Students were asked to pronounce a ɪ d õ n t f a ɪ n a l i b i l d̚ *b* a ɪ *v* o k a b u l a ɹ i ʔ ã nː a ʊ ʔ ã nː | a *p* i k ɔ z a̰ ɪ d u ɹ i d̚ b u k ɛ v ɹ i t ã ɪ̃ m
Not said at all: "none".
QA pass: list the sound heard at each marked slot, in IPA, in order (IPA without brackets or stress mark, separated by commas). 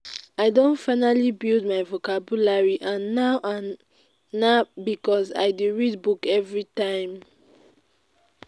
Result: m, v, b